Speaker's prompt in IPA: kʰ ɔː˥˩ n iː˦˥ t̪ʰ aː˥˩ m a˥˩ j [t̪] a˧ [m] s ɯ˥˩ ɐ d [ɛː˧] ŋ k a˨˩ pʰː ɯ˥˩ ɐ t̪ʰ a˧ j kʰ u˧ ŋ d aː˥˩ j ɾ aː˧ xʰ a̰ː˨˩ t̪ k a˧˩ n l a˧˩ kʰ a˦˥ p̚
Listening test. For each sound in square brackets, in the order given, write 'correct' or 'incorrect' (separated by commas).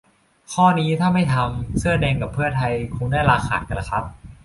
incorrect, correct, correct